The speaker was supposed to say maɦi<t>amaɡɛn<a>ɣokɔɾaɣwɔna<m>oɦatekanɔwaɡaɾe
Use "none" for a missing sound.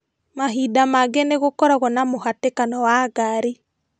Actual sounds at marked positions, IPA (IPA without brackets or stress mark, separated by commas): d, e, m